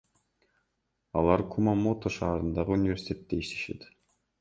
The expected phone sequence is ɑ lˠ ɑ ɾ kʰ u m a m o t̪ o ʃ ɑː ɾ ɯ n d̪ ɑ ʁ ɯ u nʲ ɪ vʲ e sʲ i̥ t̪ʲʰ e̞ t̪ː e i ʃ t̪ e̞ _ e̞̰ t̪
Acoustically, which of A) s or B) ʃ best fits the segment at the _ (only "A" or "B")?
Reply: B